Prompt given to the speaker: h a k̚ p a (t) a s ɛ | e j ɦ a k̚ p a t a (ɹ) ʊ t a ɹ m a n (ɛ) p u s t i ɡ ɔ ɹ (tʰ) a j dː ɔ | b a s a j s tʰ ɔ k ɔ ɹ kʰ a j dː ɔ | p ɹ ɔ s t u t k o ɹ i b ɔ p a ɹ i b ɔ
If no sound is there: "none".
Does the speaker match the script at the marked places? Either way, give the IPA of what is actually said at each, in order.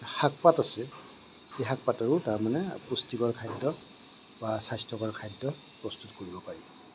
t, ɹ, ɛ, kʰ

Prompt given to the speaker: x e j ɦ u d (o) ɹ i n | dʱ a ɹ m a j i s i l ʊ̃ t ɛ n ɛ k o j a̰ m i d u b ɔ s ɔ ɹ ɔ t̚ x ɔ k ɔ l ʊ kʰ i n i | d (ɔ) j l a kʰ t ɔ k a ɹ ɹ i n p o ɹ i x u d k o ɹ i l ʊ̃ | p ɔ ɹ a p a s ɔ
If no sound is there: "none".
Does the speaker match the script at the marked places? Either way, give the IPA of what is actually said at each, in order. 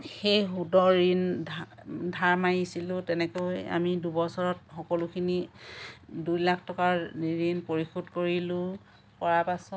ɔ, u

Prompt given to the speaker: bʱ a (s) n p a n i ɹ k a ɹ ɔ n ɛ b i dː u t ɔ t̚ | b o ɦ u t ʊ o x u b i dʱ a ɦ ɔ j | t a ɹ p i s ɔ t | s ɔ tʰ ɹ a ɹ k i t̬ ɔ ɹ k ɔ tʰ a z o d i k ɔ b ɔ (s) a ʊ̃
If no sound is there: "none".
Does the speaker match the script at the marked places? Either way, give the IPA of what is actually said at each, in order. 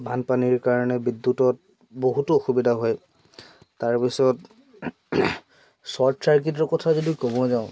none, z

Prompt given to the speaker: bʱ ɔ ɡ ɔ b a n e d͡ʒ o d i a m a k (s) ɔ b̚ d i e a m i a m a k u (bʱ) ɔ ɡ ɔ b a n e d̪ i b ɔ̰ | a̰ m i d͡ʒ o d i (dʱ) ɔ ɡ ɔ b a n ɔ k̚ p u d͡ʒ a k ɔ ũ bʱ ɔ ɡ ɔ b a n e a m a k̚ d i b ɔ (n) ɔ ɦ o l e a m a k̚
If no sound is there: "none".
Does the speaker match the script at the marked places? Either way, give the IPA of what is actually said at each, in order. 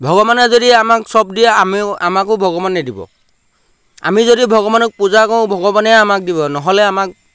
s, bʱ, bʱ, n

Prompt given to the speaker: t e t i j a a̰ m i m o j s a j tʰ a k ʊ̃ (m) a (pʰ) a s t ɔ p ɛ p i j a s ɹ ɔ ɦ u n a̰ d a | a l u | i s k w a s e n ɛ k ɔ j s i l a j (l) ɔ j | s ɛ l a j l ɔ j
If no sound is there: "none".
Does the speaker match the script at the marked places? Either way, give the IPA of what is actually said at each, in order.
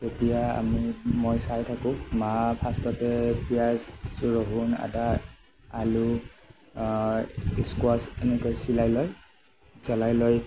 m, pʰ, l

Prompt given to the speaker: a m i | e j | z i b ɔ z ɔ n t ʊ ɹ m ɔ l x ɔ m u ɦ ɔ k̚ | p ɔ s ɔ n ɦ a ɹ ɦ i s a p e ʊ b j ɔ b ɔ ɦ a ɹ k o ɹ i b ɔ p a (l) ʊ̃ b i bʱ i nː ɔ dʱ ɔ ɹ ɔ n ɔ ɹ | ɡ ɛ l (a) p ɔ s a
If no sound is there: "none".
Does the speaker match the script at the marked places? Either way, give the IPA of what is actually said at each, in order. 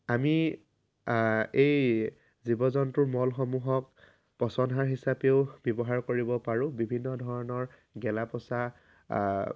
ɹ, a

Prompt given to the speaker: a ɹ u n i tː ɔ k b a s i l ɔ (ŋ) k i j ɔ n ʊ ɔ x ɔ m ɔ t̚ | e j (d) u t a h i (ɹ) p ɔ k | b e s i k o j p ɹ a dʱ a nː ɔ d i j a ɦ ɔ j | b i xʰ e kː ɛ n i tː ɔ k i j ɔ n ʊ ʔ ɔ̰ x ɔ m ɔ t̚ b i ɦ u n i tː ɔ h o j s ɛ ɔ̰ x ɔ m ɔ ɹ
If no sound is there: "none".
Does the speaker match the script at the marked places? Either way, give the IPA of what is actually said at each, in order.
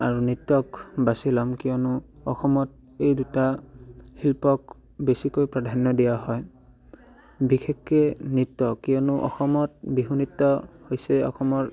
m, d, l

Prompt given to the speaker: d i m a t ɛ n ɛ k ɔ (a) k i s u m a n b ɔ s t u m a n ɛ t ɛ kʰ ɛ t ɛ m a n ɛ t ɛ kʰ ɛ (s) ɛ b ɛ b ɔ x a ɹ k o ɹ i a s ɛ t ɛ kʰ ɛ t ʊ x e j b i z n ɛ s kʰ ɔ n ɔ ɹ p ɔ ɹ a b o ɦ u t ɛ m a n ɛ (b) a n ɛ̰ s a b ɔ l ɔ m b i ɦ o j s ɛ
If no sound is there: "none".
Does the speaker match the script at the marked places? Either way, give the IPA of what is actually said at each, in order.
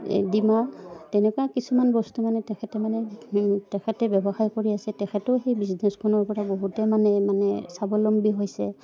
a, t, m

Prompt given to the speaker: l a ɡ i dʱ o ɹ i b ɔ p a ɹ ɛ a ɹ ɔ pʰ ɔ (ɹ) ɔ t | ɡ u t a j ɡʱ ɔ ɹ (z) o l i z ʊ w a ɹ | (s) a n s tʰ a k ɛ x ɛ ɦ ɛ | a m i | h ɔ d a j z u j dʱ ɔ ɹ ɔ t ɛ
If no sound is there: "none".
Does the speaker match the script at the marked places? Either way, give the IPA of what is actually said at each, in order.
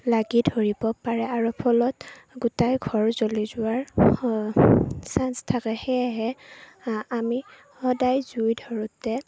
l, z, s

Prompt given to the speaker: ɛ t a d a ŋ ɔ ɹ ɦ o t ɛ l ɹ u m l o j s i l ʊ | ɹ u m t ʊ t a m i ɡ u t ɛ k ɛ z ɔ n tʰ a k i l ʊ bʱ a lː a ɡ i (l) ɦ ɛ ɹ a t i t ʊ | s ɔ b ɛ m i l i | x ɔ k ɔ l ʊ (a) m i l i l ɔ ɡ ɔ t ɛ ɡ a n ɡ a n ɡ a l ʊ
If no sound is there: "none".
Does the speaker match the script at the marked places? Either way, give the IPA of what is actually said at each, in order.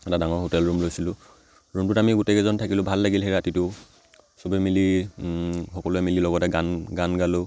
l, ɛ

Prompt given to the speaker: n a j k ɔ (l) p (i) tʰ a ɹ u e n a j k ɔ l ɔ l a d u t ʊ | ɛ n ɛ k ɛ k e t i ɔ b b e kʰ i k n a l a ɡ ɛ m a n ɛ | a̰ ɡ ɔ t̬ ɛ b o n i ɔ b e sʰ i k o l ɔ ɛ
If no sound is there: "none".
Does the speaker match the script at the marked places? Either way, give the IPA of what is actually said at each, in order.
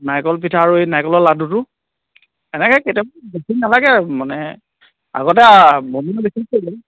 l, i

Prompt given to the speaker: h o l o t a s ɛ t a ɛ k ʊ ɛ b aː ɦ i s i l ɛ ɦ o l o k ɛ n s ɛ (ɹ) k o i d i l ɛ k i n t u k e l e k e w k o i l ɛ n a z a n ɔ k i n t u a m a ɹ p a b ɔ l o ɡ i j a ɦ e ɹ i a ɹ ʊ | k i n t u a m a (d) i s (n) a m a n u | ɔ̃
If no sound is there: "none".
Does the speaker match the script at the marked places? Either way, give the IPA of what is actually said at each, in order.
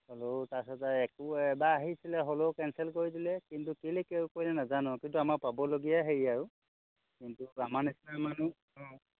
l, n, n

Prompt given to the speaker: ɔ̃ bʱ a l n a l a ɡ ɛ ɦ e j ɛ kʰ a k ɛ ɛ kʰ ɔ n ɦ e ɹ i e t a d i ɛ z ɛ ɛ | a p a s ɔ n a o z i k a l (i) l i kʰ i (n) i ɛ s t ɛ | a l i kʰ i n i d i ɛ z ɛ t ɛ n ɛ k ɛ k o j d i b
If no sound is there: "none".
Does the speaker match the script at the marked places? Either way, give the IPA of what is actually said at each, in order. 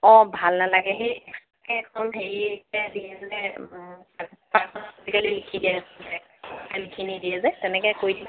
i, d

